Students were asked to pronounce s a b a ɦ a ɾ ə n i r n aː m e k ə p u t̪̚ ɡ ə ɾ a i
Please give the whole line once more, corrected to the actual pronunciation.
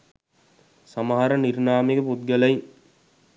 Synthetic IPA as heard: s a m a ɦ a ɾ ə n i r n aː m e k ə p u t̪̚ ɡ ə l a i